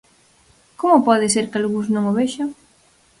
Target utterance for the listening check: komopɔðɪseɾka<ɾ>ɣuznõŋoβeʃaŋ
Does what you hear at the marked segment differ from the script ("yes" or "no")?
yes